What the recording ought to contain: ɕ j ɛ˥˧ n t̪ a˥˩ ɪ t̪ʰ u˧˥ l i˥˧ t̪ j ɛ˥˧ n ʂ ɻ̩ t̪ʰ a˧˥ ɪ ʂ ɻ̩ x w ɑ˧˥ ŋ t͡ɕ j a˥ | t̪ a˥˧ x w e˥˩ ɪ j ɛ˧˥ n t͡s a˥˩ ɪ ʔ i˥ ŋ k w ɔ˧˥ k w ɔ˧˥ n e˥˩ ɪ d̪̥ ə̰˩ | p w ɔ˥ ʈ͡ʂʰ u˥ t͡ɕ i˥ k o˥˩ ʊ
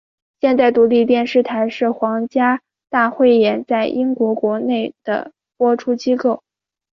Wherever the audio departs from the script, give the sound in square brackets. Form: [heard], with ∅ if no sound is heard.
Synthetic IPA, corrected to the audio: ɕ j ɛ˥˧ n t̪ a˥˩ ɪ [t̪] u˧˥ l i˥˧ t̪ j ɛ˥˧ n ʂ ɻ̩ t̪ʰ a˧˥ ɪ ʂ ɻ̩ x w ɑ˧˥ ŋ t͡ɕ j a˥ | t̪ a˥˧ x w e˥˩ ɪ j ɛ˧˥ n t͡s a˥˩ ɪ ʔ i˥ ŋ k w ɔ˧˥ k w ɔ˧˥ n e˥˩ ɪ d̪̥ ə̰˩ | p w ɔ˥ ʈ͡ʂʰ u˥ t͡ɕ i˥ k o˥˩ ʊ